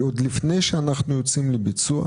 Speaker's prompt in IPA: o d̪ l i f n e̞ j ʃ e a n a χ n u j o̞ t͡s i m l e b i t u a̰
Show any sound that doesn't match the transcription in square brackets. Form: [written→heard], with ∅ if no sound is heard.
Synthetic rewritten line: o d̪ l i f n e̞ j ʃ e a n a χ n u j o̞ t͡s i m l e b i [t→t͡s] u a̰